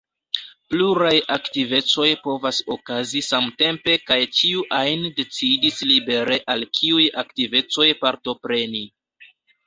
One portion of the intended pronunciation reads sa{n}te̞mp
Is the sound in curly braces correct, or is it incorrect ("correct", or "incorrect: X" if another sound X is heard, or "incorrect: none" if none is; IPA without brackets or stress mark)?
incorrect: m